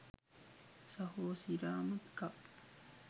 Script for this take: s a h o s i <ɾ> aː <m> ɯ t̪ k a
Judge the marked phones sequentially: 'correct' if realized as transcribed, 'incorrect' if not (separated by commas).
correct, correct